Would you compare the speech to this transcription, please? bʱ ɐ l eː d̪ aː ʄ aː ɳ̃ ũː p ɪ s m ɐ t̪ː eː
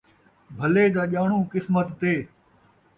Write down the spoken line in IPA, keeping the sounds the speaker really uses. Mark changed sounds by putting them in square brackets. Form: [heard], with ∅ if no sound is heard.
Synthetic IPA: bʱ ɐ l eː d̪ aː ʄ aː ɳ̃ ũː [k] ɪ s m [ə] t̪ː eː